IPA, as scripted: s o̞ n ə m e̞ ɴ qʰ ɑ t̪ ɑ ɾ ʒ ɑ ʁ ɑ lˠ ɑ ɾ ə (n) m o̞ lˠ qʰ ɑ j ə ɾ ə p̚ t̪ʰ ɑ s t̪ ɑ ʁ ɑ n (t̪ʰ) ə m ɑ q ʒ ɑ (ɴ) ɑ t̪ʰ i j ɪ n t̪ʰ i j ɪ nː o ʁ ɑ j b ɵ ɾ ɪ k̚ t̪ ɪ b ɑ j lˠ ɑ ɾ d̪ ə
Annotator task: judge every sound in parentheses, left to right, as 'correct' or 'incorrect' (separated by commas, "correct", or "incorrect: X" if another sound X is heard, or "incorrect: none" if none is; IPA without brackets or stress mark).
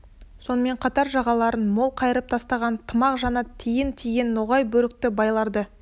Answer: correct, correct, incorrect: n